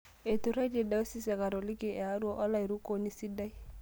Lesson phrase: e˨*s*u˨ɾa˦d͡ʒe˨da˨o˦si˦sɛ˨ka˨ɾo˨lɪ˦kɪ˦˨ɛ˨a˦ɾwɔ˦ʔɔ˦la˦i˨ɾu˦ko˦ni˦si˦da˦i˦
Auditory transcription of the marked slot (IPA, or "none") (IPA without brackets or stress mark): t